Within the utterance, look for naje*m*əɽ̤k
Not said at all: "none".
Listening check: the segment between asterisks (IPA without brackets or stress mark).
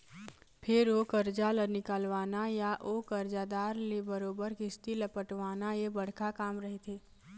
b